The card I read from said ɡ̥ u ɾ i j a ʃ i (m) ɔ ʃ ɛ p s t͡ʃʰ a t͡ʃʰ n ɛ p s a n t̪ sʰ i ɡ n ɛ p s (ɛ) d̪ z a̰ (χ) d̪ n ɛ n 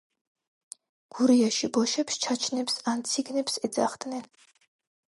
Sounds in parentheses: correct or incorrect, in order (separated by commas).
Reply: incorrect, correct, correct